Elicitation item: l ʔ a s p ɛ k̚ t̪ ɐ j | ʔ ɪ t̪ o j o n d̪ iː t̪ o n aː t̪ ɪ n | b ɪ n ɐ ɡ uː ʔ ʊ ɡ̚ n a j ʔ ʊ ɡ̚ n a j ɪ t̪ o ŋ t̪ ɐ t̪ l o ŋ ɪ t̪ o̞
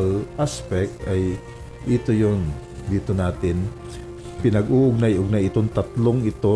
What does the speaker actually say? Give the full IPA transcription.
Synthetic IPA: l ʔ a s p ɛ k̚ t̪ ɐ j | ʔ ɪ t̪ o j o n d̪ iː t̪ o n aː t̪ ɪ n | p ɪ n ɐ ɡ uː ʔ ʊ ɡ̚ n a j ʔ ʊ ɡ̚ n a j ɪ t̪ o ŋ t̪ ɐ t̪ l o ŋ ɪ t̪ o̞